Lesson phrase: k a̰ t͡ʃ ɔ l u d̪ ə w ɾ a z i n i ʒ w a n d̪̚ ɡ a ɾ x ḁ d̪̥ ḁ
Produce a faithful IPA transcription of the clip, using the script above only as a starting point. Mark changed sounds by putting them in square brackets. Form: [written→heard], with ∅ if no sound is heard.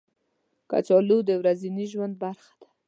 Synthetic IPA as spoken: k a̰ t͡ʃ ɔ l u d̪ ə w ɾ a z i n i ʒ w a n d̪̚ [ɡ→b] a ɾ x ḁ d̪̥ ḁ